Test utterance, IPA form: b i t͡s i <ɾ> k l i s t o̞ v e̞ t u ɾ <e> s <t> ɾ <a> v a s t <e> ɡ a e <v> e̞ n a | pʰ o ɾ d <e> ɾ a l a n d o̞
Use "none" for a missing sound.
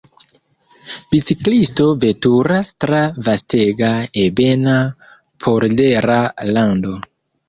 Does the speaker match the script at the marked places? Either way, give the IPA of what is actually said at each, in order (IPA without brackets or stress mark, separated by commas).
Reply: none, a, t, a, e, b, e